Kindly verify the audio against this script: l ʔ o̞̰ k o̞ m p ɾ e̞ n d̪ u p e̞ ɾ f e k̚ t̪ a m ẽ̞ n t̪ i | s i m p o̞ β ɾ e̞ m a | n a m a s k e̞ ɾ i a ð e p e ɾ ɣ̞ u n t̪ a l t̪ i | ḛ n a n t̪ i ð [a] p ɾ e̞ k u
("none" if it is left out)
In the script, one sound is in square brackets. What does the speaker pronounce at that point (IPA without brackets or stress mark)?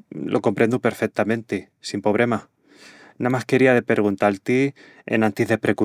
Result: e